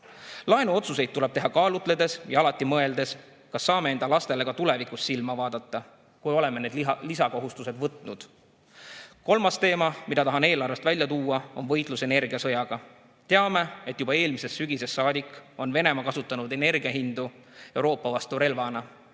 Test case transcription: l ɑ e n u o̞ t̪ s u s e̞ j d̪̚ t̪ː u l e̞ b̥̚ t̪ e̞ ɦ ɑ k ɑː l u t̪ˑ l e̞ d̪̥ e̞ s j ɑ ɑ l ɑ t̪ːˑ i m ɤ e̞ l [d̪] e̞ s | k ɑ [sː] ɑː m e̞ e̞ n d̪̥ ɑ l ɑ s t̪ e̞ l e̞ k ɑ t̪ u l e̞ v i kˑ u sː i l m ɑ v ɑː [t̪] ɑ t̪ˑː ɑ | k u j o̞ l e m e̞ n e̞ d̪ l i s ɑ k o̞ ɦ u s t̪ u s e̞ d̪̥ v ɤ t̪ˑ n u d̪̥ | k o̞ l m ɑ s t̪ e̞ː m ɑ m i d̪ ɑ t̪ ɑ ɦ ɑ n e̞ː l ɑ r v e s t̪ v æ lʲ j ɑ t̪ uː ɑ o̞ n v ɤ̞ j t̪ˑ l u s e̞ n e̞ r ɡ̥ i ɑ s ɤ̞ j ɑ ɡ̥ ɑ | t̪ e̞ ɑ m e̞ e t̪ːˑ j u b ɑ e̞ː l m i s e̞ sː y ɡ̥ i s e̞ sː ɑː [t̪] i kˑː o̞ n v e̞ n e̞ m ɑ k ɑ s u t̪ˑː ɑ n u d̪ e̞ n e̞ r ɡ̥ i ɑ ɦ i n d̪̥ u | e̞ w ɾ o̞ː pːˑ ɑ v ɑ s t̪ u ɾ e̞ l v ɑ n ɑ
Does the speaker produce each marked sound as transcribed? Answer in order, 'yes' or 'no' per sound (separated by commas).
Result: yes, yes, no, no